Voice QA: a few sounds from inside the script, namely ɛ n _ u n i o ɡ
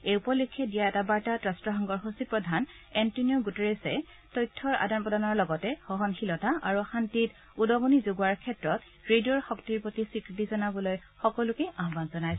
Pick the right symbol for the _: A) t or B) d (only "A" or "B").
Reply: A